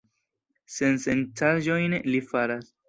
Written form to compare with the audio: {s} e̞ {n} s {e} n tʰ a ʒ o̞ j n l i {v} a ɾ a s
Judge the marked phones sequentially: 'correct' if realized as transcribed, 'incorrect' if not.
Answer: correct, correct, correct, incorrect: f

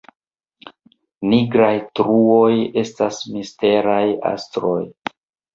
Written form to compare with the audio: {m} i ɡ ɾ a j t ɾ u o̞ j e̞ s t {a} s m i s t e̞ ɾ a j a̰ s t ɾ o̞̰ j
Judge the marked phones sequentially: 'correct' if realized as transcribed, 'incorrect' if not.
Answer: incorrect: n, correct

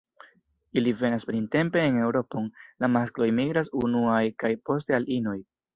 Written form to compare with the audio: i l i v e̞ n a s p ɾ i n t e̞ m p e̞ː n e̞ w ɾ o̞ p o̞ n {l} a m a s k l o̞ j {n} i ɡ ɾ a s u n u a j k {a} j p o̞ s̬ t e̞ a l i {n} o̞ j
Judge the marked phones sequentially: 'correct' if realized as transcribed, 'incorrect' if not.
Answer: correct, incorrect: m, correct, correct

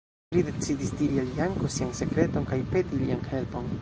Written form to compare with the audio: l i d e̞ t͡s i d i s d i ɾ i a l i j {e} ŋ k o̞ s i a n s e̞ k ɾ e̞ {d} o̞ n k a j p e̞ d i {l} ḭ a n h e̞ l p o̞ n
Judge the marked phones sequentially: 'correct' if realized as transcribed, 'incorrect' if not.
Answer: incorrect: a, incorrect: t, correct

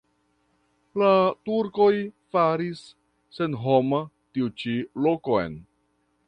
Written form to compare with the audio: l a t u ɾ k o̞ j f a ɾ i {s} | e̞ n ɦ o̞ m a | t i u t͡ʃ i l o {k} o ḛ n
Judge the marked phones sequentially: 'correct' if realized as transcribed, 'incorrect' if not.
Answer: incorrect: sː, correct

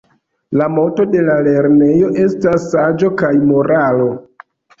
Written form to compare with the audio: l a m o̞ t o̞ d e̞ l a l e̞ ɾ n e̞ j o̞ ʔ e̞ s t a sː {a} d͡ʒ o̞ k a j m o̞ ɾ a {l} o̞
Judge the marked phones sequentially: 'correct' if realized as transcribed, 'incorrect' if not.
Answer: correct, correct

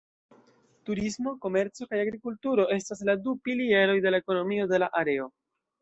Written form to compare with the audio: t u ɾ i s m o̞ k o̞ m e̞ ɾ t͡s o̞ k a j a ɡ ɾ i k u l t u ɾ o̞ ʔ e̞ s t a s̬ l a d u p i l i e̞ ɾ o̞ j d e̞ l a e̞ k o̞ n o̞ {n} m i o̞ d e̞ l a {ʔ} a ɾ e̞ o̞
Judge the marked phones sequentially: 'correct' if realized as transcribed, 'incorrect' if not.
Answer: incorrect: none, correct

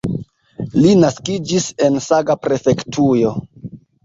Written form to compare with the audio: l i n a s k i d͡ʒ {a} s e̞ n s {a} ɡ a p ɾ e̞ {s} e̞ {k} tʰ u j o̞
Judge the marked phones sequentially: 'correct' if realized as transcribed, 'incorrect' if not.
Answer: incorrect: i, correct, incorrect: f, correct

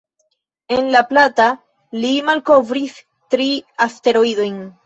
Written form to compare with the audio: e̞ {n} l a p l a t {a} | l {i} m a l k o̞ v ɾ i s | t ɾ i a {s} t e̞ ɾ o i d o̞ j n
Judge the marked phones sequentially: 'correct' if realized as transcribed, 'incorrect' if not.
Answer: correct, correct, correct, correct

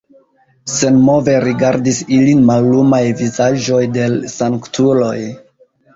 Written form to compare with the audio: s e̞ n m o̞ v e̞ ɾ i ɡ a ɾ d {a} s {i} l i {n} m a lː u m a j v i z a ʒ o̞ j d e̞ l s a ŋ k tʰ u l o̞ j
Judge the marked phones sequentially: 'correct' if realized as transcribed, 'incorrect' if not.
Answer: incorrect: i, correct, correct

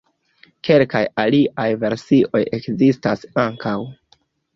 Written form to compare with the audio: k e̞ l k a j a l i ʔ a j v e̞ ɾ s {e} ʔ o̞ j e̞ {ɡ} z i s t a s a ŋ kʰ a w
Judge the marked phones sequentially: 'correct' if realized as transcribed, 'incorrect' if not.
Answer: incorrect: i, incorrect: k

